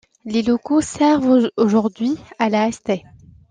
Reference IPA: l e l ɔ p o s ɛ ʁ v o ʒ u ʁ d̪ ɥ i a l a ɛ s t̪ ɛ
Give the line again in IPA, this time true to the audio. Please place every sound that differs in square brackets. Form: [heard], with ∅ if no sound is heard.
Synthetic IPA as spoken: l e l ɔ [k] o s ɛ ʁ v o ʒ u ʁ d̪ ɥ i a l a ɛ s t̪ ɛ